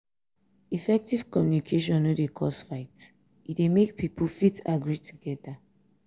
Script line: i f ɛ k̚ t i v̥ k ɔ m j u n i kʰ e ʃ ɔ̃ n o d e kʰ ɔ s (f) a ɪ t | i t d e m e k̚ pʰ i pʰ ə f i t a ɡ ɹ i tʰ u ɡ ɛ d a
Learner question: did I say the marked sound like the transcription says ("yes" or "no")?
yes